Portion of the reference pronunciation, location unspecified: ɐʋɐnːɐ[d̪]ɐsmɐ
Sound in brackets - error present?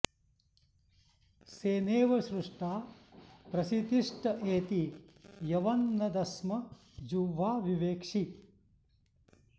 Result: no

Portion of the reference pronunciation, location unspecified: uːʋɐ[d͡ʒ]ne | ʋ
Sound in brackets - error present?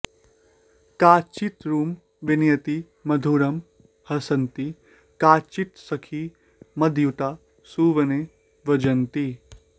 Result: yes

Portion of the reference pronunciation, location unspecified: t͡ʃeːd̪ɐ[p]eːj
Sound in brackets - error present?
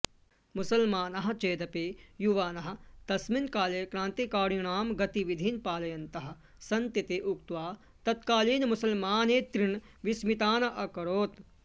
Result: no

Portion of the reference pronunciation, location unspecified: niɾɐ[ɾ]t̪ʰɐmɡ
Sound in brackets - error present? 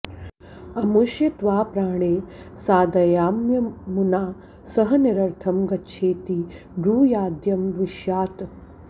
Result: no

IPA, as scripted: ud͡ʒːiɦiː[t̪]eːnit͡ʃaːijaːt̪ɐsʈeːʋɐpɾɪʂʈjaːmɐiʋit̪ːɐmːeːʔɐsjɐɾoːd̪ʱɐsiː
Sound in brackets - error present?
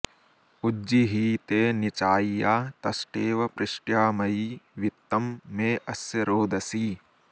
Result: no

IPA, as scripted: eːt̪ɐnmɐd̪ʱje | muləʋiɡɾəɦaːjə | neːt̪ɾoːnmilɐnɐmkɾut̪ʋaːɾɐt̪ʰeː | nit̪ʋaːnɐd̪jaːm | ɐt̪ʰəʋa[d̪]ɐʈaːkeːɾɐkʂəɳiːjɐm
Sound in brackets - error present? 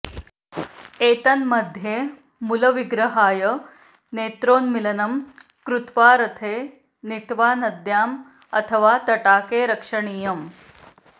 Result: yes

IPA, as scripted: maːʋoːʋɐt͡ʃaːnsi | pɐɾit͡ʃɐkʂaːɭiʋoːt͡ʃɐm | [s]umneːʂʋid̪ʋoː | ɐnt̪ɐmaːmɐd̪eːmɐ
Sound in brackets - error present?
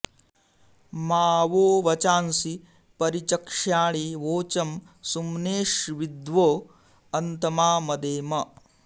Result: no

